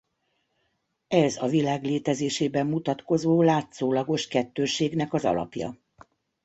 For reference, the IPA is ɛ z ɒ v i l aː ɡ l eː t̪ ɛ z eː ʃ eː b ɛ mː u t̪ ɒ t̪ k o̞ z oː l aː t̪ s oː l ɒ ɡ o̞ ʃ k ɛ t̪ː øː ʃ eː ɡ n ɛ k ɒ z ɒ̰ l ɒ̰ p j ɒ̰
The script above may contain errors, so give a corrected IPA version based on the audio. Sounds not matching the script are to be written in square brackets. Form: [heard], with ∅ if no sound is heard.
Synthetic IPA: ɛ z ɒ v i l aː ɡ l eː t̪ ɛ z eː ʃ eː b ɛ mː u t̪ ɒ t̪ k o̞ z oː l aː t̪ s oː l ɒ ɡ o̞ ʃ k ɛ t̪ː øː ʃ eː ɡ n ɛ k ɒ z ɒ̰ l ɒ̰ p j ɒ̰